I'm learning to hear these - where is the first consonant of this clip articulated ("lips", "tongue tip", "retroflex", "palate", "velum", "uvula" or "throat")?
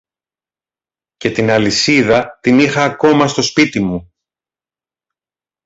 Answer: palate